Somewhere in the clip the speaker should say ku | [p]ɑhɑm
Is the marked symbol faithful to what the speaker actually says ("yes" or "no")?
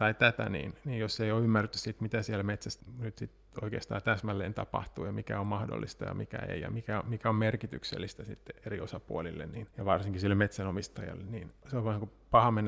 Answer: yes